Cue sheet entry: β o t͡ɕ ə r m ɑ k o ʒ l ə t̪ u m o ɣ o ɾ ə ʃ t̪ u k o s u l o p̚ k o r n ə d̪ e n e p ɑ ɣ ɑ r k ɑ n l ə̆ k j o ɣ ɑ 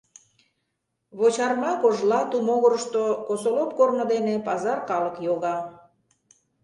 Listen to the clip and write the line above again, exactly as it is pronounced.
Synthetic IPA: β o t͡ɕ ɑ r m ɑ k o ʒ l ɑ t̪ u m o ɣ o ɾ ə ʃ t̪ o k o s o l o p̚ k o r n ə d̪ e n e p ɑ z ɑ r k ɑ l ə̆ k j o ɣ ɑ